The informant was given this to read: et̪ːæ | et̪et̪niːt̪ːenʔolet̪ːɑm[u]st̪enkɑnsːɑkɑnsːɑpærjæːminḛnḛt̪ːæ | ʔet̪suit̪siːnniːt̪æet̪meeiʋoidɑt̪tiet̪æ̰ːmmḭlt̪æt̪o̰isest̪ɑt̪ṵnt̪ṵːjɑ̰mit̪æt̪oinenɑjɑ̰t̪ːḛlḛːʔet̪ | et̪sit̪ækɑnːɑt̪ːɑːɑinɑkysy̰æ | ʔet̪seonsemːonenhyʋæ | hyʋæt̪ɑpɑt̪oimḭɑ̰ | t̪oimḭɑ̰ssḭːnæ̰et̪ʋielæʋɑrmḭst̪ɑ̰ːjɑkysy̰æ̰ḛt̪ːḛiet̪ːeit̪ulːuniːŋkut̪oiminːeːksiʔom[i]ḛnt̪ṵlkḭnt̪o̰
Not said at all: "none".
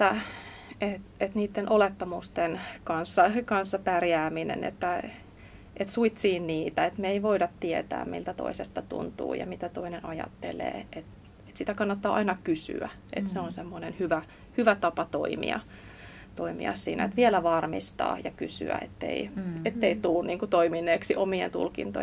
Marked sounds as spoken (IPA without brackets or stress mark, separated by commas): u, i